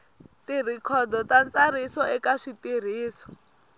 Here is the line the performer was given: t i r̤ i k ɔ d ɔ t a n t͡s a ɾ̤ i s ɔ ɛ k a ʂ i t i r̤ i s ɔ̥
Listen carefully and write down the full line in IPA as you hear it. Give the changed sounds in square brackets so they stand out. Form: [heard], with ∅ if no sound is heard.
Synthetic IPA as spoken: t i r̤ i [kʰ] ɔ d ɔ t a n t͡s a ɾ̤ i s ɔ ɛ k a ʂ i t i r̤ [iː] s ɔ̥